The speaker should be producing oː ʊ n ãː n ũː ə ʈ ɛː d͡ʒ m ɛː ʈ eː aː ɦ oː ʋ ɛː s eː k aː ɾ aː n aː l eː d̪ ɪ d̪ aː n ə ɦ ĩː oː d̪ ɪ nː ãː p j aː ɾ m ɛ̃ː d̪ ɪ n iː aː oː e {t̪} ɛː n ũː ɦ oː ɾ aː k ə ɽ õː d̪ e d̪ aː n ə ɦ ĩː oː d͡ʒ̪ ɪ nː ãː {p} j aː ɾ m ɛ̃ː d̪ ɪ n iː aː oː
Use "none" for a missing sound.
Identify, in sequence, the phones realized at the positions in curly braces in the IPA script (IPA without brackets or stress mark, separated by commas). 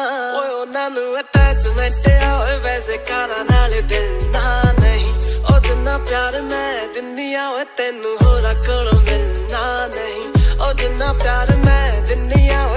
t̪, p